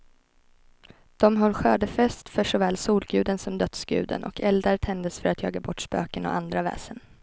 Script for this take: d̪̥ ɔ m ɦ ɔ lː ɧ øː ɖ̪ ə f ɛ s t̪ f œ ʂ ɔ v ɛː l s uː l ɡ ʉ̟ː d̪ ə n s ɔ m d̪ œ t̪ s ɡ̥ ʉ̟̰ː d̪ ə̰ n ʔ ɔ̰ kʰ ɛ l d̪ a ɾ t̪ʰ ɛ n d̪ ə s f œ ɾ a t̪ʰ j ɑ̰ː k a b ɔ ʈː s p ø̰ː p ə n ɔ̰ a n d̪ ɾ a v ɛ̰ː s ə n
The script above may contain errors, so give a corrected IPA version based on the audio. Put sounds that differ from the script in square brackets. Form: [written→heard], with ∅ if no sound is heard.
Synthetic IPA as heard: d̪̥ ɔ m ɦ ɔ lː ɧ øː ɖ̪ ə f ɛ s t̪ f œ ʂ ɔ v ɛː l s uː l ɡ ʉ̟ː d̪ ə n s ɔ m d̪ œ t̪ s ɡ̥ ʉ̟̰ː d̪ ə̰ n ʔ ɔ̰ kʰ ɛ l d̪ a ɾ t̪ʰ ɛ n d̪ ə s f œ ɾ a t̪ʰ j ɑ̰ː [k→ɡ] a b ɔ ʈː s p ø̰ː [p→k] ə n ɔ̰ a n d̪ ɾ a v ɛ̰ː s ə n